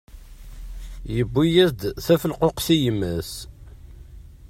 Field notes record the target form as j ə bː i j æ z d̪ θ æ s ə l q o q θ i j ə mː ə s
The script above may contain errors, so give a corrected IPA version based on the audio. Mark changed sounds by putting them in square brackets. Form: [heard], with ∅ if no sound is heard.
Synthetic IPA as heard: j ə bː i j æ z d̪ θ æ [f] ə l q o q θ i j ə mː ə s